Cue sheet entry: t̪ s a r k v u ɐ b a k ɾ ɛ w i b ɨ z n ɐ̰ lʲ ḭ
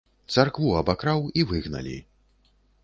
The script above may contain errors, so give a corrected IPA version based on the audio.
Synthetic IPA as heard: t̪ s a r k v u ɐ b a k ɾ a w i v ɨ ɣ n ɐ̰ lʲ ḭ